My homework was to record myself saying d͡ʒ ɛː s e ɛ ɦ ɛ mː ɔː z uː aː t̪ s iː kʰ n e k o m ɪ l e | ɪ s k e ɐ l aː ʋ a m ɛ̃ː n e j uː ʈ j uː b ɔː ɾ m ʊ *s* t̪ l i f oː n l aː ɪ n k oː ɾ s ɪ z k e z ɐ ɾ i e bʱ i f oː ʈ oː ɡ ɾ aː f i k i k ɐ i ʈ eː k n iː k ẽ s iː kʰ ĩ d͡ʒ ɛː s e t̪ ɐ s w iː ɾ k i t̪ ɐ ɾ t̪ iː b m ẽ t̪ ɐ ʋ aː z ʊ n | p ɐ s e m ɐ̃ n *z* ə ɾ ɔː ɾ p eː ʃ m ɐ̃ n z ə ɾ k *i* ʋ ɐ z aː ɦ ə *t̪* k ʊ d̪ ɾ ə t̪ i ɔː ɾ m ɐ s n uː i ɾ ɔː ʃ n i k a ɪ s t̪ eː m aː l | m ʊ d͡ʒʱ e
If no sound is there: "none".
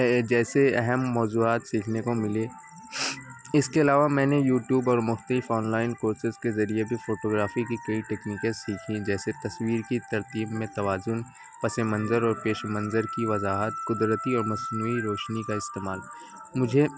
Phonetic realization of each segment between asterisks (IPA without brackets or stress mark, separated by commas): x, z, i, t̪